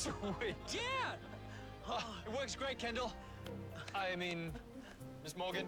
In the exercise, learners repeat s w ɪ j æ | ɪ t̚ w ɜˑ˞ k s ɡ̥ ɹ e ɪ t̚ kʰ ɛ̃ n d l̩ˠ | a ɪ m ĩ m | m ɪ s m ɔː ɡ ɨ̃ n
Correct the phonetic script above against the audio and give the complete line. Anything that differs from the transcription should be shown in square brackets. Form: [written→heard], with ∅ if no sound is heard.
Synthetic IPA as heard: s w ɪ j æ | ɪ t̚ w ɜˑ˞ k s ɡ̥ ɹ e ɪ t̚ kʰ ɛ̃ n d l̩ˠ | a ɪ m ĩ [m→n] | m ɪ s m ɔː ɡ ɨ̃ n